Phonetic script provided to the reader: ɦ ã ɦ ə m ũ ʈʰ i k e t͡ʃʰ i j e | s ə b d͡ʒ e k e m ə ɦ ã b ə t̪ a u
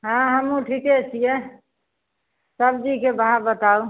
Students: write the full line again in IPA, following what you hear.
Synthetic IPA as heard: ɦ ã ɦ ə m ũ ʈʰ i k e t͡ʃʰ i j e | s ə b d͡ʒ i k e b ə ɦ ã b ə t̪ a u